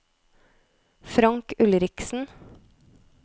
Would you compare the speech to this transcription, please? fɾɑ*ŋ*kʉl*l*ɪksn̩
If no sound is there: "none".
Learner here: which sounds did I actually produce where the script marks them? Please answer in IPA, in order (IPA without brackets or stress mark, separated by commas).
ŋ, ɾ